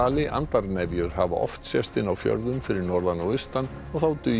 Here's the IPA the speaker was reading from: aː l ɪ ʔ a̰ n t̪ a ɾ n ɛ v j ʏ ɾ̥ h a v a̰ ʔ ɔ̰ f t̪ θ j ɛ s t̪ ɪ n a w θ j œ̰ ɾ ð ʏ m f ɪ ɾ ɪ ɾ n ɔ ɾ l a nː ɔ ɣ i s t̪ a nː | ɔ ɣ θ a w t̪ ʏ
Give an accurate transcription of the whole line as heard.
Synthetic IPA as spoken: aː l ɪ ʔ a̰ n t̪ a ɾ n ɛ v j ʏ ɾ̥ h a v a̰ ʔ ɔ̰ f t̪ s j ɛ s t̪ ɪ n a w f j œ̰ ɾ ð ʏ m f ɪ ɾ ɪ ɾ n ɔ ɾ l a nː ɔ ɣ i s t̪ a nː | ɔ ɣ θ a w t̪ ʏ

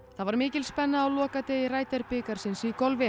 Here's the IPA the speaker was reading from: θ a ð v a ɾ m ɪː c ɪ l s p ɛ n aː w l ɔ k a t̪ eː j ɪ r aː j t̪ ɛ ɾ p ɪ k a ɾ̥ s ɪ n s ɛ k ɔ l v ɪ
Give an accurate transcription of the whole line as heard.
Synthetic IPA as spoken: θ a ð v a ɾ m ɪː c ɪ l s p ɛ nː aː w l ɔː k a t̪ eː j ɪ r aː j t̪ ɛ ɾ p ɪ k a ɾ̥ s ɪ n s i k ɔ l v ɪ

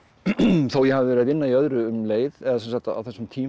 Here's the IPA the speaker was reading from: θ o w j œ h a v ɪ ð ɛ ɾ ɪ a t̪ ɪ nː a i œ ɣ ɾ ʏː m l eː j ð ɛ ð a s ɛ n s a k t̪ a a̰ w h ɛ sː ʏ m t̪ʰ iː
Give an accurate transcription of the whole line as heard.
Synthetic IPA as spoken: θ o w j ɛ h a v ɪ v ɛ ɾ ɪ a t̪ ɪ nː a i œ ð ɾ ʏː m l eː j ð ɛ ð a s ɛ n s a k t̪ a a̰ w θ ɛ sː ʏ m t̪ʰ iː

